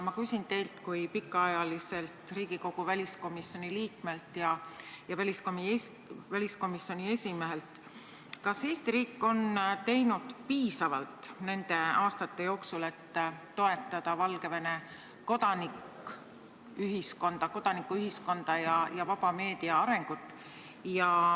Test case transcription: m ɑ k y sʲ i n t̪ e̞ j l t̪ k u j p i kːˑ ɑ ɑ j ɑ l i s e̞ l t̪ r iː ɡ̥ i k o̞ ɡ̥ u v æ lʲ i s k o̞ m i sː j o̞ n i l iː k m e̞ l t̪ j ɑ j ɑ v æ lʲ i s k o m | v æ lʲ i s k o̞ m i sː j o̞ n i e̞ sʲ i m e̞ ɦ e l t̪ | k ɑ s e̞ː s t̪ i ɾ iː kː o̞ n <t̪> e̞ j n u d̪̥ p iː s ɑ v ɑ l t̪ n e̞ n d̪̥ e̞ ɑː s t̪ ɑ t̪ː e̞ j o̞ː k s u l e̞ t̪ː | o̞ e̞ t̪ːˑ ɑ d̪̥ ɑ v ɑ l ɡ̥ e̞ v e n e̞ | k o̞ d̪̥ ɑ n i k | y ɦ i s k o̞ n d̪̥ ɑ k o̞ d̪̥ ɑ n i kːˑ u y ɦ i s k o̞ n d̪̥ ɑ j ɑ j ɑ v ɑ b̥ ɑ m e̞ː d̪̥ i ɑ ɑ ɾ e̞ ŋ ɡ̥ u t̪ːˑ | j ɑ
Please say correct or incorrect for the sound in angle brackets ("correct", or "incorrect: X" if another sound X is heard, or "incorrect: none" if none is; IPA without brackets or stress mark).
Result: correct